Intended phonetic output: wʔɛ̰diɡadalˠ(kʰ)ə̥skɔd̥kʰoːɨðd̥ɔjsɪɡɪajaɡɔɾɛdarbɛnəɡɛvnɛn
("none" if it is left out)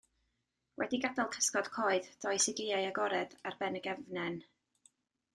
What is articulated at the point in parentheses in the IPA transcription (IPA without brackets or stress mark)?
kʰ